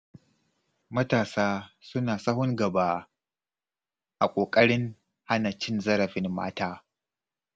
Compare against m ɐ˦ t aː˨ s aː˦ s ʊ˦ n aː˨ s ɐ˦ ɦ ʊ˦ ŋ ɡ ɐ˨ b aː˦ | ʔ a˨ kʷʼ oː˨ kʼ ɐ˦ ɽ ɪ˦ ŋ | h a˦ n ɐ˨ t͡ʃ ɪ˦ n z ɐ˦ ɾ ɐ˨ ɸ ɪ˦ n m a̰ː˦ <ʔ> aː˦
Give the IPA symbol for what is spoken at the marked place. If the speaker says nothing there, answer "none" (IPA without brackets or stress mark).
t